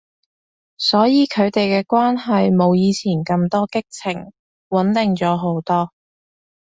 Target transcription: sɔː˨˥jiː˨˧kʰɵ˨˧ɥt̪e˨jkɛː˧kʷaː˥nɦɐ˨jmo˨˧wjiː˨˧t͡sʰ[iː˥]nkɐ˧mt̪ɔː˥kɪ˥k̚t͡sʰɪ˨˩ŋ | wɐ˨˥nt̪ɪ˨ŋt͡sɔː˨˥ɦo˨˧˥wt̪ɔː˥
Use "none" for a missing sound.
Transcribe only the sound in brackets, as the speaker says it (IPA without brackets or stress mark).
iː˨˩